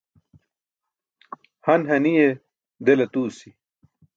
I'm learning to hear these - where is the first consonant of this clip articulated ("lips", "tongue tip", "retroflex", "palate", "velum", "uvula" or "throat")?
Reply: throat